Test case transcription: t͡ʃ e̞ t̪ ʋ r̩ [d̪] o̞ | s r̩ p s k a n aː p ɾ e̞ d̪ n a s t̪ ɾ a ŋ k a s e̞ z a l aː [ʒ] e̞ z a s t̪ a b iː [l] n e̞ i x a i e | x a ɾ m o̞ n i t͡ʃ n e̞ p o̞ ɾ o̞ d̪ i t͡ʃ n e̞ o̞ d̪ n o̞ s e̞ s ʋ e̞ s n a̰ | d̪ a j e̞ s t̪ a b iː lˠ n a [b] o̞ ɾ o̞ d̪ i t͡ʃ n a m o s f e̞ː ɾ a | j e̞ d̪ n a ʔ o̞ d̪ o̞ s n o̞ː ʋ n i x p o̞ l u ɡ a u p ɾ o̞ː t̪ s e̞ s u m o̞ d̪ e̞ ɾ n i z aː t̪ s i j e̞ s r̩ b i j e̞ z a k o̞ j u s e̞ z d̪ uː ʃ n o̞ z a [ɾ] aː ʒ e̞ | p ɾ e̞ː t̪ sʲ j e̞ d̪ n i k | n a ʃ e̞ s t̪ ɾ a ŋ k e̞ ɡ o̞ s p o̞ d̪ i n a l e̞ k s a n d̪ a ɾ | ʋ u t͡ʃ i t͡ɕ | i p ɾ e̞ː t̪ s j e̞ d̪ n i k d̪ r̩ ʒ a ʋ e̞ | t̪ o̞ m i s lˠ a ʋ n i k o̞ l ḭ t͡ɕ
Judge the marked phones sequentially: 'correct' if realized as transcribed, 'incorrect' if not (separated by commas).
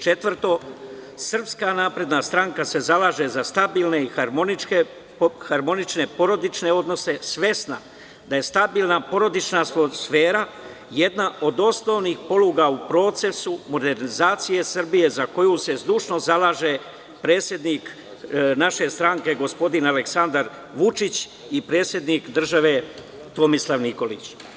incorrect, correct, correct, incorrect, incorrect